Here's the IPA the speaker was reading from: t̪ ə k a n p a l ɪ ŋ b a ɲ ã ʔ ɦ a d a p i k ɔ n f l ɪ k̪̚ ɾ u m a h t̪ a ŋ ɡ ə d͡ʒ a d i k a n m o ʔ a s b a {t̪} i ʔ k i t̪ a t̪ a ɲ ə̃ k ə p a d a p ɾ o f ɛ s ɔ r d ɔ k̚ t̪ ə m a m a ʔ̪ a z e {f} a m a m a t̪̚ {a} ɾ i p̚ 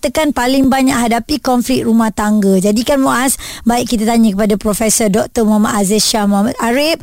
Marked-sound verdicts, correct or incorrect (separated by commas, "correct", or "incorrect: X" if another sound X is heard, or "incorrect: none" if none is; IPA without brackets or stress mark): incorrect: none, incorrect: ʃ, correct